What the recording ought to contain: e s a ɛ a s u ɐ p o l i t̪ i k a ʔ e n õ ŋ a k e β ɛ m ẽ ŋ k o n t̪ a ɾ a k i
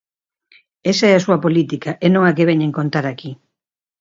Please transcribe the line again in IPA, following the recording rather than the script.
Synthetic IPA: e s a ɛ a s u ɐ p o l i t̪ i k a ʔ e n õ ŋ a k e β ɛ ɲ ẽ ŋ k o n t̪ a ɾ a k i